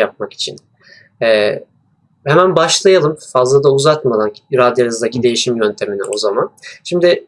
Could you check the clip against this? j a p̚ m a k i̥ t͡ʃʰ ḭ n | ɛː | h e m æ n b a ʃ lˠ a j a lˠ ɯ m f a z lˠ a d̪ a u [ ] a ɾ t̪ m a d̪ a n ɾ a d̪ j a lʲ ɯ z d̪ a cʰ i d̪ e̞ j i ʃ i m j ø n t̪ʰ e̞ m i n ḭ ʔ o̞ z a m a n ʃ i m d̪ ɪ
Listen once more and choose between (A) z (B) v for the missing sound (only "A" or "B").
A